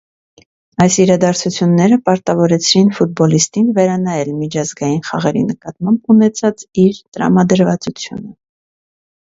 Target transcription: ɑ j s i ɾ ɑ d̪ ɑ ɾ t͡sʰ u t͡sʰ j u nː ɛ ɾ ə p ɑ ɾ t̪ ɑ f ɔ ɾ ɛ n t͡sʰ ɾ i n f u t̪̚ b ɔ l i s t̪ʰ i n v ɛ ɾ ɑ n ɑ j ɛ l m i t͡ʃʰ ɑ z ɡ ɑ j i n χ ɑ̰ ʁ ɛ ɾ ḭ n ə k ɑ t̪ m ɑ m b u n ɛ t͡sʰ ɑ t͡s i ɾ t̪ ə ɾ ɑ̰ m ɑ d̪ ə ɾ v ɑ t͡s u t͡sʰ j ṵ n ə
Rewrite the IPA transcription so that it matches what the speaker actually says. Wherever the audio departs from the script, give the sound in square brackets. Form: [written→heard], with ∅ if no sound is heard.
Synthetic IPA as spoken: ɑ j s i ɾ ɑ d̪ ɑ ɾ t͡sʰ u t͡sʰ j u nː ɛ ɾ ə p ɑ ɾ t̪ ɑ [f→v] ɔ ɾ ɛ [n→∅] t͡sʰ ɾ i n f u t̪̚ b ɔ l i s [t̪ʰ→t̪] i n v ɛ ɾ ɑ n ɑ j ɛ l m i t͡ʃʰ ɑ z ɡ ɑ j i n χ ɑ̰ ʁ ɛ ɾ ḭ n ə k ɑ t̪ m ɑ m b u n ɛ t͡sʰ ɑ t͡s i ɾ t̪ ə ɾ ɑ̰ m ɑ d̪ ə ɾ v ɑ t͡s u t͡sʰ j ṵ n ə

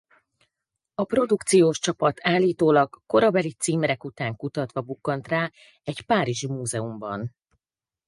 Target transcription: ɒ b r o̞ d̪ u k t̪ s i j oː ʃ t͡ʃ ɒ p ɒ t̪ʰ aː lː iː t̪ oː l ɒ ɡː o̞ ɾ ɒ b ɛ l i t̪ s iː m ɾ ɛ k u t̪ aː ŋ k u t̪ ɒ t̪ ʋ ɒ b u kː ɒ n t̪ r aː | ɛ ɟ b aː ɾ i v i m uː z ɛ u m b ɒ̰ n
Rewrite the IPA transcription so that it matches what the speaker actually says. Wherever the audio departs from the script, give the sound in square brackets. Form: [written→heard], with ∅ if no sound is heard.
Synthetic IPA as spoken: ɒ [b→p] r o̞ d̪ u k t̪ s i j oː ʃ t͡ʃ ɒ p ɒ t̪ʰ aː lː iː t̪ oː l ɒ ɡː o̞ ɾ ɒ b ɛ l i t̪ s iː m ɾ ɛ k u t̪ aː ŋ k u t̪ ɒ t̪ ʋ ɒ b u kː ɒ n t̪ r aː | ɛ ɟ [b→p] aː ɾ i [v→ʒ] i m uː z ɛ u m b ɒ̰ n

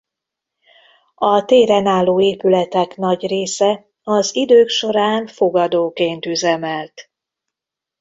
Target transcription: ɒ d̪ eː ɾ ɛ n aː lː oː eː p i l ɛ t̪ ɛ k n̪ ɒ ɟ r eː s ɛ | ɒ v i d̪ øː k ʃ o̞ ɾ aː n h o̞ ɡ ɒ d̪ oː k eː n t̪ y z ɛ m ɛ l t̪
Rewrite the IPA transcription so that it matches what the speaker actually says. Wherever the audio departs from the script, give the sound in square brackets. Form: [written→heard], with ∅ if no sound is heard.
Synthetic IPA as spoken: ɒ [d̪→t̪] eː ɾ ɛ n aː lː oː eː p [i→y] l ɛ t̪ ɛ k n̪ ɒ ɟ r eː s ɛ | ɒ [v→z] i d̪ øː k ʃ o̞ ɾ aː n [h→f] o̞ ɡ ɒ d̪ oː k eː n t̪ y z ɛ m ɛ l t̪

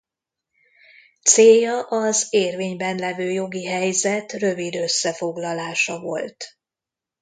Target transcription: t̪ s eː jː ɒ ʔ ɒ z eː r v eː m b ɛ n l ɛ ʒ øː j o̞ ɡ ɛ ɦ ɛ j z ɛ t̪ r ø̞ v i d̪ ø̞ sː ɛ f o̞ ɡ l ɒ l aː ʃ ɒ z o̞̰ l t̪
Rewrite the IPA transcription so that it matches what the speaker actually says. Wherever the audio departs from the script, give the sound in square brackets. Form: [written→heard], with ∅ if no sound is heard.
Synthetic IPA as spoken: t̪ s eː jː ɒ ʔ ɒ z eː r v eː [m→ɲ] b ɛ n l ɛ [ʒ→v] øː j o̞ ɡ [ɛ→i] ɦ ɛ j z ɛ t̪ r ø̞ v i d̪ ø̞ sː ɛ f o̞ ɡ l ɒ l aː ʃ ɒ [z→v] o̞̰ l t̪

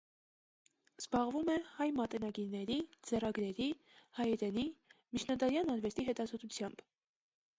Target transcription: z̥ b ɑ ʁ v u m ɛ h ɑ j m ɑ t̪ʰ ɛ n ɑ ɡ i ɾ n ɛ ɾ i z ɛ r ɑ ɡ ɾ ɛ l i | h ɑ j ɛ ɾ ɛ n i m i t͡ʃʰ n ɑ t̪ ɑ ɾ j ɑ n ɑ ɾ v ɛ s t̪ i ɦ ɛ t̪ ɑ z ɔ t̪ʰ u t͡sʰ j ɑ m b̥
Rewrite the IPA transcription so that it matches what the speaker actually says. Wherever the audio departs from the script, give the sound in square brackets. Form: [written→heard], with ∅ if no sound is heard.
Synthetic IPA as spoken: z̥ b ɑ ʁ v u m ɛ h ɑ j m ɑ [t̪ʰ→t̪] ɛ n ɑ ɡ i ɾ n ɛ ɾ i [z→d͡z] ɛ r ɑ ɡ ɾ ɛ [l→ɾ] i | h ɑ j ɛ ɾ ɛ n i m i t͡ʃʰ n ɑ [t̪→d̪] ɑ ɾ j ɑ n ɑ ɾ v ɛ s t̪ i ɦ ɛ t̪ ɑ z ɔ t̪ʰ u t͡sʰ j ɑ m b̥

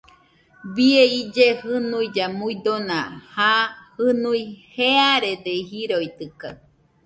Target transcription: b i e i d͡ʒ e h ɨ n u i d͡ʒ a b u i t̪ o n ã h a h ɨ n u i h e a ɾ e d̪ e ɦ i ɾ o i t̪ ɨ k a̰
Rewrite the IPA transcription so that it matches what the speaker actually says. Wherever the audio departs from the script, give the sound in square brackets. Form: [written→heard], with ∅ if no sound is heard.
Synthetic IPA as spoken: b i e i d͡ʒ e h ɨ n u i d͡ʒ a [b→m] u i [t̪→d̪] o n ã h a h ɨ n u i h e a ɾ e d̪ e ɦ i ɾ o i t̪ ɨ k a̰

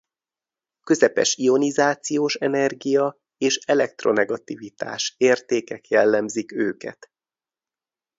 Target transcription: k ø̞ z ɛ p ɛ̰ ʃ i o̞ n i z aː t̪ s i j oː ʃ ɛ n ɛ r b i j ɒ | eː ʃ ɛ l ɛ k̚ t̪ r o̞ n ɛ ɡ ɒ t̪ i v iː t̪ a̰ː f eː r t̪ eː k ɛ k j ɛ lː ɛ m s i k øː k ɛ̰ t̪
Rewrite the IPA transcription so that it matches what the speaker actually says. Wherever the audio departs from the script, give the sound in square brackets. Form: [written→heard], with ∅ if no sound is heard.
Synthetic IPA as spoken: k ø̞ z ɛ p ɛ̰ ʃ i o̞ n i z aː t̪ s i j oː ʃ ɛ n ɛ r [b→ɡ] i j ɒ | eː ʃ ɛ l ɛ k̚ t̪ r o̞ n ɛ ɡ ɒ t̪ i v [iː→i] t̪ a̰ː [f→ʃ] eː r t̪ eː k ɛ k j ɛ lː ɛ m [s→z] i k øː k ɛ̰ t̪

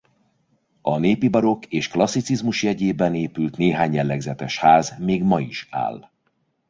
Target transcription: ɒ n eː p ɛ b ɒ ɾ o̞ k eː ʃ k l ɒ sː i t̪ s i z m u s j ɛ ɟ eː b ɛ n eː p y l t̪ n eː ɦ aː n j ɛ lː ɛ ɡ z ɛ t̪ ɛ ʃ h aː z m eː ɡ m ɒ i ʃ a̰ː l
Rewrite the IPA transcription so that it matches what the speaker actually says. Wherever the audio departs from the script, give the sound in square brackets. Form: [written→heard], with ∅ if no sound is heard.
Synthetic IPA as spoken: ɒ n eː p [ɛ→i] b ɒ ɾ o̞ k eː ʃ k l ɒ sː i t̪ s i z m u [s→ʃ] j ɛ ɟ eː b ɛ n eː p y l t̪ n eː ɦ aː [n→ɲ] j ɛ lː ɛ ɡ z ɛ t̪ ɛ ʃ h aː z m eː ɡ m ɒ i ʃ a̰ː l

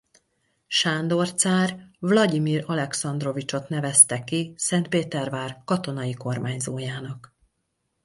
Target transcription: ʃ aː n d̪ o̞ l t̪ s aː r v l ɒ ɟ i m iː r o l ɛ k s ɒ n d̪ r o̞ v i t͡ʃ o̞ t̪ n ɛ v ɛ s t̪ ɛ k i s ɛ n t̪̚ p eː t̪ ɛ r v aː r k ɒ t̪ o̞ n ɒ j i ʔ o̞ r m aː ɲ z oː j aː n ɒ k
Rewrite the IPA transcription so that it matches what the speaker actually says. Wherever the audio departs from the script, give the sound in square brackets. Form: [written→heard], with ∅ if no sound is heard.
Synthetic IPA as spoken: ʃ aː n d̪ o̞ [l→r] t̪ s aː r v l ɒ ɟ i m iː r [o→ɒ] l ɛ k s ɒ n d̪ r o̞ v i t͡ʃ o̞ t̪ n ɛ v ɛ s t̪ ɛ k i s ɛ n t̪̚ p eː t̪ ɛ r v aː r k ɒ t̪ o̞ n ɒ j i [ʔ→k] o̞ r m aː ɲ z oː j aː n ɒ k

